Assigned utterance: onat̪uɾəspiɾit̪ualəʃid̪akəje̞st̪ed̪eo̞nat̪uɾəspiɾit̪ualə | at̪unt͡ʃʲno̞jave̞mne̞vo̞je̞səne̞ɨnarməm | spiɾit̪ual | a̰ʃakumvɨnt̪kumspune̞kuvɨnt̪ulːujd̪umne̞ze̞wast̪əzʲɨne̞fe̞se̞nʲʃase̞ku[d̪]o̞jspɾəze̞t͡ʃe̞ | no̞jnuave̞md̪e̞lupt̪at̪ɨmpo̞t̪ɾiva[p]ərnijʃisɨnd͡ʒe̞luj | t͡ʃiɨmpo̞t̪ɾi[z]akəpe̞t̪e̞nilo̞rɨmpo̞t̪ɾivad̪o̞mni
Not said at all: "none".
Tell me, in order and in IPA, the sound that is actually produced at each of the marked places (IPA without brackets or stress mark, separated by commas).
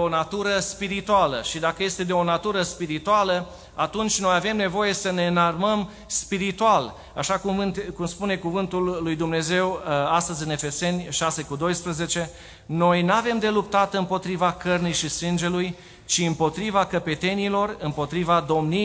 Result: d̪, k, v